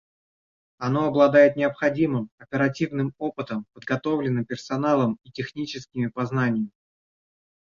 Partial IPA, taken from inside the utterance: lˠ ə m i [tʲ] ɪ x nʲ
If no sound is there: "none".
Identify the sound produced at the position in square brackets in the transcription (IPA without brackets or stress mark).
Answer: tʲ